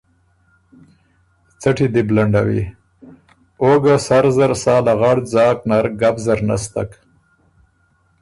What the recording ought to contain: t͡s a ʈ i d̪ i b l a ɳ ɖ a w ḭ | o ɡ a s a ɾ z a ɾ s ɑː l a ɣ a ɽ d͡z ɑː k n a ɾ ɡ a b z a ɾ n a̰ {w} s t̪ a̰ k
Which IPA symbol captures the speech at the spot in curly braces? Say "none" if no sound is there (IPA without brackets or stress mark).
none